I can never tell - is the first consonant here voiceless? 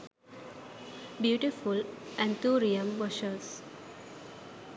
no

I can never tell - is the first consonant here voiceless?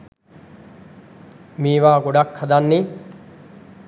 no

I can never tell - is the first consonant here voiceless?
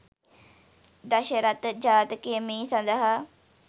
no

